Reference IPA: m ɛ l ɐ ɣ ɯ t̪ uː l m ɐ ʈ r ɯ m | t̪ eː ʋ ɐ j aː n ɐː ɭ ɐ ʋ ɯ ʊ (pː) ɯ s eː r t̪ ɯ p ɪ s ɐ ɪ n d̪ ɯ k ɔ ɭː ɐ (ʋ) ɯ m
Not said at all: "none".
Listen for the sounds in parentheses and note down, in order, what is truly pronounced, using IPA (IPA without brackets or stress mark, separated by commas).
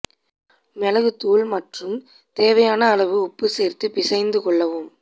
pː, ʋ